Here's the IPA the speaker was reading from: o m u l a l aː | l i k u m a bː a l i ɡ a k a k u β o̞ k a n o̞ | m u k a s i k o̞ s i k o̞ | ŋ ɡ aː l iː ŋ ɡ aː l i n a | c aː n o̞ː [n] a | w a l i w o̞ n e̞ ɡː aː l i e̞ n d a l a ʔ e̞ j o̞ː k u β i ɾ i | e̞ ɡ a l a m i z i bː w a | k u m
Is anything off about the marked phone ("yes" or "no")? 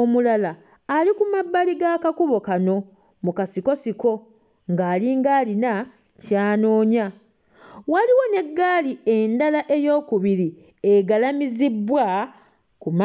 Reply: yes